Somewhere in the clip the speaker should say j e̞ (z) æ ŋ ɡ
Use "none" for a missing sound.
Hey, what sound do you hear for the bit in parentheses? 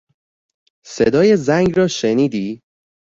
z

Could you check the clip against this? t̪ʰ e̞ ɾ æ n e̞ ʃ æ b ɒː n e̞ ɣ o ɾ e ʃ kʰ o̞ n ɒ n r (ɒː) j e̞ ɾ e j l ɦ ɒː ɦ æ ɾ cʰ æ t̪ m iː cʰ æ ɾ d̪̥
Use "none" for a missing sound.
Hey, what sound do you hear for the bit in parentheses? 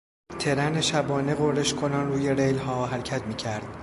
uː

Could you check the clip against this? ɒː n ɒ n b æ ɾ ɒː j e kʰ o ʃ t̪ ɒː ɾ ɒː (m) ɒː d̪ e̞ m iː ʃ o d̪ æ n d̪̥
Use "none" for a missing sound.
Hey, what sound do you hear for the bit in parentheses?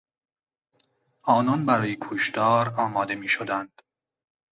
m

